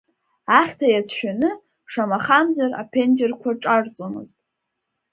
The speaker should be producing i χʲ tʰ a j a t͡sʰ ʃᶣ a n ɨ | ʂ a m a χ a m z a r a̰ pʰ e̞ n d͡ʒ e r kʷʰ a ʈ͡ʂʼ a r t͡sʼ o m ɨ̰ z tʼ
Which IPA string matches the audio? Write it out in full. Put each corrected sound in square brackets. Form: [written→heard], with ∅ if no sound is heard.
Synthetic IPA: [i→a] χʲ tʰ a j a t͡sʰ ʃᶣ a n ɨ | ʂ a m a χ a m z a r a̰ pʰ e̞ n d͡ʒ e r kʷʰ a ʈ͡ʂʼ a r t͡sʼ o m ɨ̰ z tʼ